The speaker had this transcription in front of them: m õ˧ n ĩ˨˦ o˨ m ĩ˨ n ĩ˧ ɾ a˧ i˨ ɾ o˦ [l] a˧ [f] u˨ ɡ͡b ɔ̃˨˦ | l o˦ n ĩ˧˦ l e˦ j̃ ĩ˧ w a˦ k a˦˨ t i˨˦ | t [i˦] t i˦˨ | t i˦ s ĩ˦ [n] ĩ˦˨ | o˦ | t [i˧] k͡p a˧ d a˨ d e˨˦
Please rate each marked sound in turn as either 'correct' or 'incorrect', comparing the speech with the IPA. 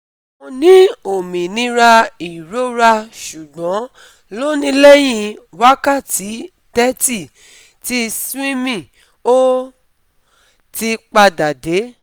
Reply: incorrect, incorrect, incorrect, incorrect, correct

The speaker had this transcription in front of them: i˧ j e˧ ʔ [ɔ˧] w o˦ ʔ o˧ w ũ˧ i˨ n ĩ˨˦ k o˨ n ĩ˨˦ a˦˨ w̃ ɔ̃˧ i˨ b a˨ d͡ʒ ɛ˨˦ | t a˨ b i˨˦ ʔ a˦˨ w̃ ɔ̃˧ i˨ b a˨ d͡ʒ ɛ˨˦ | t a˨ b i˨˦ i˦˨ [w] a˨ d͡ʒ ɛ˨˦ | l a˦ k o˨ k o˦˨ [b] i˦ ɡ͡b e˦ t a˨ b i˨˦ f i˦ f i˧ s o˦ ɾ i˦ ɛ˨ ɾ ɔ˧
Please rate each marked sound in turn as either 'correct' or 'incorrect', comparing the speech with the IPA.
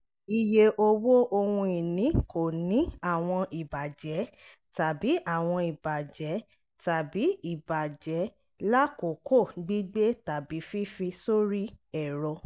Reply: incorrect, incorrect, incorrect

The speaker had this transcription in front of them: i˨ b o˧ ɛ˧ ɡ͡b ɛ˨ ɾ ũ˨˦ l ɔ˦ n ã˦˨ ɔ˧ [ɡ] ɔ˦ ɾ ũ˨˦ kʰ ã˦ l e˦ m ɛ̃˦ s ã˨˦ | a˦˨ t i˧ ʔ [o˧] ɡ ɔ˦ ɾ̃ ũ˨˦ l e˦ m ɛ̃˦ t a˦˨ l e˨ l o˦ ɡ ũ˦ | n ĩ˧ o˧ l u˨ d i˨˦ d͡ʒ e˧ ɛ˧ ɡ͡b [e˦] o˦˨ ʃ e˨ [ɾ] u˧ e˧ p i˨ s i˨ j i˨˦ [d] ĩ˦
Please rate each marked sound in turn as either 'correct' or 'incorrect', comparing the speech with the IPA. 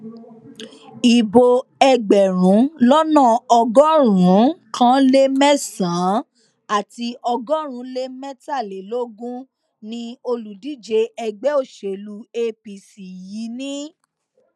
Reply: correct, incorrect, incorrect, incorrect, incorrect

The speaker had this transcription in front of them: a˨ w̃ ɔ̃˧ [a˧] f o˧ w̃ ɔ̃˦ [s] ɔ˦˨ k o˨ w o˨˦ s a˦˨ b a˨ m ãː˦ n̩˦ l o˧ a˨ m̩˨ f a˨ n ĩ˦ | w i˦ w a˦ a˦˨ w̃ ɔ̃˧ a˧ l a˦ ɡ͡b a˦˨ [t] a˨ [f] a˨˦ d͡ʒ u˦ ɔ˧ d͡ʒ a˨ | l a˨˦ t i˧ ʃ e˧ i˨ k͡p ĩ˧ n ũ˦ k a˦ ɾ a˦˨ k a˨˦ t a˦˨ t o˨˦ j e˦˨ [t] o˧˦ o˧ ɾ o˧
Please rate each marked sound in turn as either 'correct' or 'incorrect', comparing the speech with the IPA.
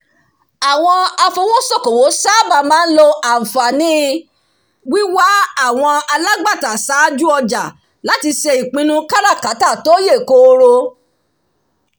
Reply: correct, correct, correct, incorrect, incorrect

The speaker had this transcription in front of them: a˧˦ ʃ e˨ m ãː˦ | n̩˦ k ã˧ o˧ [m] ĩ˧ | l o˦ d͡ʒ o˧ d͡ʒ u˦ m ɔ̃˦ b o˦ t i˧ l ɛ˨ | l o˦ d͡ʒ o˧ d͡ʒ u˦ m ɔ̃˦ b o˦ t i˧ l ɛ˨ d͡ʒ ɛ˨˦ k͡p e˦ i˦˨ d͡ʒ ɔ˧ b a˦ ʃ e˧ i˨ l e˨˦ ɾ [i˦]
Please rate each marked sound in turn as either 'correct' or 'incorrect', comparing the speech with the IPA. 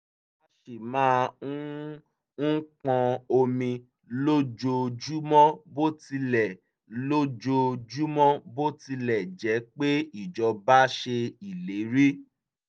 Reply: correct, correct

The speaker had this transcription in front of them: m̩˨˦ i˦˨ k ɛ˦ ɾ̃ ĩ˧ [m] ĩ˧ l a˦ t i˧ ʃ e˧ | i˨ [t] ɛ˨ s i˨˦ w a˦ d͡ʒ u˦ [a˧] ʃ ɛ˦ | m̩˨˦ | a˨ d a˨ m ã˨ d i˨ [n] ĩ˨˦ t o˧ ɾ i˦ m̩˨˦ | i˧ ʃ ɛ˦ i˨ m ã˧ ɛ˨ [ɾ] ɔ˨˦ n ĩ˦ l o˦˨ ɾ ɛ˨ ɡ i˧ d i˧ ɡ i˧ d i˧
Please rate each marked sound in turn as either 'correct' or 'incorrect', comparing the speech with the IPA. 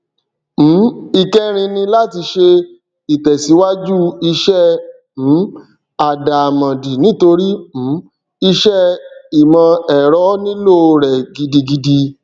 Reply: incorrect, correct, incorrect, correct, correct

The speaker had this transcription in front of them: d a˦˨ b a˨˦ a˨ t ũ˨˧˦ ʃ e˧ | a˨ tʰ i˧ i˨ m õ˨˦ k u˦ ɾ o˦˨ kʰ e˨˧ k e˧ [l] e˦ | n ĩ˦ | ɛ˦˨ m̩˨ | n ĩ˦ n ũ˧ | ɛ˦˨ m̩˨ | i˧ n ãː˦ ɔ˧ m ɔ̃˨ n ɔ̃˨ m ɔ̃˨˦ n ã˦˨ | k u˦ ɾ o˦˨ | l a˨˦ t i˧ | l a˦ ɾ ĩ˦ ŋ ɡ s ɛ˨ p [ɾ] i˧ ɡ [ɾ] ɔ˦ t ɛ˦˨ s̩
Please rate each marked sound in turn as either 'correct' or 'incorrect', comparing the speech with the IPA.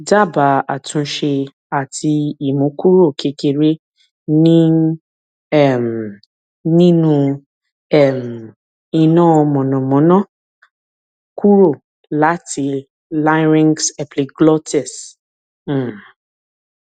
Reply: incorrect, incorrect, incorrect

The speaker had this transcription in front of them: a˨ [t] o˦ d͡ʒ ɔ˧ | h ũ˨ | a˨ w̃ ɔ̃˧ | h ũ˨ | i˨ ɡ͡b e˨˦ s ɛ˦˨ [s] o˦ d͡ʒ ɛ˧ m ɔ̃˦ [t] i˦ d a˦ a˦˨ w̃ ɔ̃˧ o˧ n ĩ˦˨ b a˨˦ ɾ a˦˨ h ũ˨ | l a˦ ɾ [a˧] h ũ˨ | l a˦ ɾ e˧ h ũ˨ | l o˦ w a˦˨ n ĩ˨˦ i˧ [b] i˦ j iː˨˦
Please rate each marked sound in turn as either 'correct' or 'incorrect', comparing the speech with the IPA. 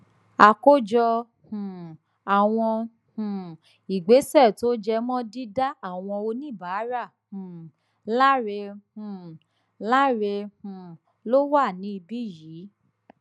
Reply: incorrect, incorrect, incorrect, incorrect, correct

